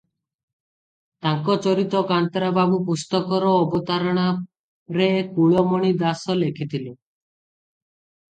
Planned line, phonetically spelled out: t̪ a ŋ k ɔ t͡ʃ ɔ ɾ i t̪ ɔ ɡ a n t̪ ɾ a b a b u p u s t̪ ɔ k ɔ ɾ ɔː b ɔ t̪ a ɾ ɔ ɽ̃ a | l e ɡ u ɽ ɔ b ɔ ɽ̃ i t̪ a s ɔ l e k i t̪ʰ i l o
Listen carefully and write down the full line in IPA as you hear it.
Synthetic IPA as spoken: t̪ a ŋ k ɔ t͡ʃ ɔ ɾ i t̪ ɔ k a n t̪ ɾ a b a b u p u s t̪ ɔ k ɔ ɾ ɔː b ɔ t̪ a ɾ ɔ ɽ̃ a | ɾ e k u ɭ ɔ m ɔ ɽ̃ i d̪ a s ɔ l e kʰ i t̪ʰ i l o